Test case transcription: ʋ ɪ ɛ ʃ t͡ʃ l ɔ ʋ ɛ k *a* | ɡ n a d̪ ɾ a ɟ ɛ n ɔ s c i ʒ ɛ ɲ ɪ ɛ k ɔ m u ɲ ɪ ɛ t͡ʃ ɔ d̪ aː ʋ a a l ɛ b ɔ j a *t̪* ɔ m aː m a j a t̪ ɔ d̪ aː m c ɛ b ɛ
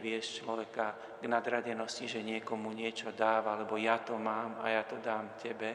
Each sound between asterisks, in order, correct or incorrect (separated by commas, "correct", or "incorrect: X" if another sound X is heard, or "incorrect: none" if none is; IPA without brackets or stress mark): correct, correct